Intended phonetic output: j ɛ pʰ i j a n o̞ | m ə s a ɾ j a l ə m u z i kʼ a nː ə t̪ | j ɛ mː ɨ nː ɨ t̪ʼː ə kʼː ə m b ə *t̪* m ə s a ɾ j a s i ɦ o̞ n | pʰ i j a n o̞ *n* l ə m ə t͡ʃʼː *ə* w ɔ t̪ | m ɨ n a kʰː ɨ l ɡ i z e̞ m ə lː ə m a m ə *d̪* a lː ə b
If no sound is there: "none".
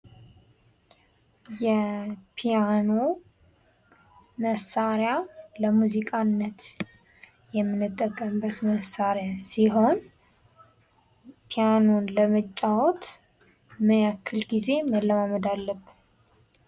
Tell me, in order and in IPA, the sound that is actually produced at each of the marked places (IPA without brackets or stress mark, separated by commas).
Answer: t̪, n, a, d̪